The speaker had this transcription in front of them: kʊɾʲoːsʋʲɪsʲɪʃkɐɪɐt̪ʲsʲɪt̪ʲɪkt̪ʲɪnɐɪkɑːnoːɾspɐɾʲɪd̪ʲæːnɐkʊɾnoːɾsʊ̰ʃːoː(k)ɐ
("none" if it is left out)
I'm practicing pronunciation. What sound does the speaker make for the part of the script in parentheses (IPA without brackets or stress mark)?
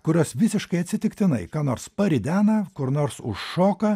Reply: k